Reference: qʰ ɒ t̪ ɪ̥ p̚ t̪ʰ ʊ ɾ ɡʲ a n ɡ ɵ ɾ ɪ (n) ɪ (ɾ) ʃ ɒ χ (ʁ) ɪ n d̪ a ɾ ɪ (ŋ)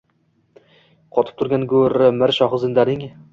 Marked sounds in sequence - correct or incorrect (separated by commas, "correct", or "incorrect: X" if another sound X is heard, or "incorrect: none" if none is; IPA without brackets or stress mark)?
incorrect: m, correct, incorrect: z, correct